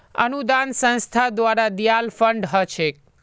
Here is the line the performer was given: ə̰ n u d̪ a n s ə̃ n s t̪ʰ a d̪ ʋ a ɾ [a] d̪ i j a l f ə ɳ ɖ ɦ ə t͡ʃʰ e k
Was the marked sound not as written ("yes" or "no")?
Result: no